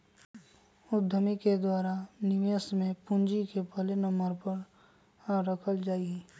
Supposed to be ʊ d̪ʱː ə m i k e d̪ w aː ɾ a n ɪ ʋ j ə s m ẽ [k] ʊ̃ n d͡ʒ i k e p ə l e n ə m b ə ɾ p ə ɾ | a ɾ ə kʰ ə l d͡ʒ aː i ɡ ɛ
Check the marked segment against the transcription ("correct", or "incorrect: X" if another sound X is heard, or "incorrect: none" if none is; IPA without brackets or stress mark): incorrect: p